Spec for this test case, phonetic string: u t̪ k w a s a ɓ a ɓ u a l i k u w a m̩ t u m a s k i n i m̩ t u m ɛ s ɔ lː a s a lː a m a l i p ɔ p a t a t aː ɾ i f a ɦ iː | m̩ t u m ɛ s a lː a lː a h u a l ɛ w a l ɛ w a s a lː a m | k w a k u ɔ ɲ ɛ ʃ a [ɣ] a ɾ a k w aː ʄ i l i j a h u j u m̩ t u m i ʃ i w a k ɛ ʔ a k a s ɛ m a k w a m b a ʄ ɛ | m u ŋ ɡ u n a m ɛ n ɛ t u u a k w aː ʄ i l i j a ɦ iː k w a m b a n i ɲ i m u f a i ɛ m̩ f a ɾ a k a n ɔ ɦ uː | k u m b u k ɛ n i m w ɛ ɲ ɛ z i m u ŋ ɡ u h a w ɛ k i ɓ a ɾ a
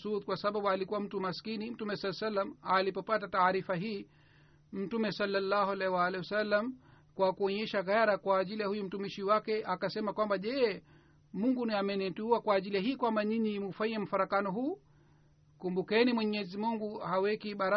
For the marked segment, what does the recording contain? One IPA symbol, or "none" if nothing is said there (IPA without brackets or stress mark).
ɣ